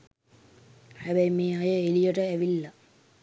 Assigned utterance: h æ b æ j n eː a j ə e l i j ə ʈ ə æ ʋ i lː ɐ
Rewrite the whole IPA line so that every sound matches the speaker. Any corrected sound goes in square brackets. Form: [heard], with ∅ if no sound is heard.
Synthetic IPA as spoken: h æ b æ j [m] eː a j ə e l i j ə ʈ ə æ ʋ i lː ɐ